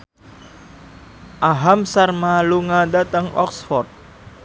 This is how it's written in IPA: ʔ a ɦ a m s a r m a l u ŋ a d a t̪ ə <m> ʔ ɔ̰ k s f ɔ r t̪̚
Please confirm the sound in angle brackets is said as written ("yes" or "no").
no